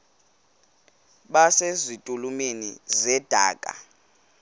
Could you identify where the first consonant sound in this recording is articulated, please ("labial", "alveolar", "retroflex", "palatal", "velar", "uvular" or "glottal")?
labial